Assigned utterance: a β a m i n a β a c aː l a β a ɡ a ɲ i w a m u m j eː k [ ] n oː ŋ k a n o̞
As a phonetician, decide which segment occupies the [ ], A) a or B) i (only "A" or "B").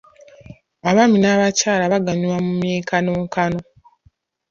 A